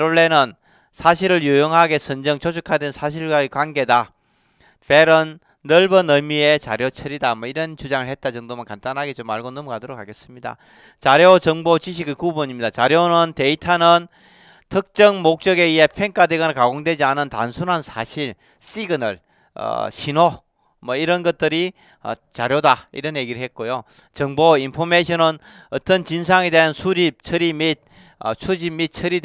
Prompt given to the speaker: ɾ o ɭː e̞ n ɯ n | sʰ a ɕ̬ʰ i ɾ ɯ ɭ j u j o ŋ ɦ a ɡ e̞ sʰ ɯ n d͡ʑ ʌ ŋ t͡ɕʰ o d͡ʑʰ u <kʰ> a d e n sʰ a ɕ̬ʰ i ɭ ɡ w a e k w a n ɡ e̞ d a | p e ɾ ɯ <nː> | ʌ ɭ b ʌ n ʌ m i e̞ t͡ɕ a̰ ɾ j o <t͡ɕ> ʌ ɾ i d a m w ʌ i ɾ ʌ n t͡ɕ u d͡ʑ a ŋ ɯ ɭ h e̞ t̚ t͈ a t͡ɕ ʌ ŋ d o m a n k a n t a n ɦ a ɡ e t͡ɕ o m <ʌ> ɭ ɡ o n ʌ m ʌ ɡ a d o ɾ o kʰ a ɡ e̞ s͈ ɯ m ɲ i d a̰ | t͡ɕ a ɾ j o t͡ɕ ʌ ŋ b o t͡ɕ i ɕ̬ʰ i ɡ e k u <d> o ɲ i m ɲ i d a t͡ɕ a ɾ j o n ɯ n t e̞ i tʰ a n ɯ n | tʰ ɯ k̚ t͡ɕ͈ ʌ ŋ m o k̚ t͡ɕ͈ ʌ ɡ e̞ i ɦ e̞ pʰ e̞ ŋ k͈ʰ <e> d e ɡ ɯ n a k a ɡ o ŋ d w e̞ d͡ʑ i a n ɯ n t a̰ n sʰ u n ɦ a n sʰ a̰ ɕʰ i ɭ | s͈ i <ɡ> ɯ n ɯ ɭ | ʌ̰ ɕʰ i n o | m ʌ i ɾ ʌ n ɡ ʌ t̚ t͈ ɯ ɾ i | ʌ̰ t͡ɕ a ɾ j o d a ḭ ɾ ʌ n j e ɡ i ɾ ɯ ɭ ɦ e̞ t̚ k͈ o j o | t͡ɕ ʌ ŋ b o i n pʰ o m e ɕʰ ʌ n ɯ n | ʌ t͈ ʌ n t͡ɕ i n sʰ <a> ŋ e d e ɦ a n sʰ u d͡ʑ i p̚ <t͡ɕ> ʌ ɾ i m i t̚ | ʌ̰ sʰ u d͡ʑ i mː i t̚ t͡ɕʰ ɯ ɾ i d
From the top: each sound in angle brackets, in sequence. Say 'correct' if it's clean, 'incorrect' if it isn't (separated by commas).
correct, correct, incorrect, incorrect, incorrect, incorrect, correct, correct, incorrect